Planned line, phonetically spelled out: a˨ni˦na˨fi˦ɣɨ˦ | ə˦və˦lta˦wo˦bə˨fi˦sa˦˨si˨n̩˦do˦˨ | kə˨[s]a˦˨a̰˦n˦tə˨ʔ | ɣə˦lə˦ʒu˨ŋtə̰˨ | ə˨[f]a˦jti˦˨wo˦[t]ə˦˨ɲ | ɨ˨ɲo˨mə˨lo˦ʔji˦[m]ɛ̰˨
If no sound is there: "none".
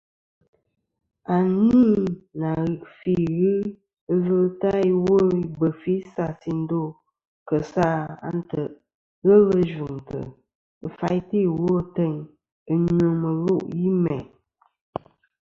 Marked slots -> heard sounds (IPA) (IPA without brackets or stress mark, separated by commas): s, f, t, m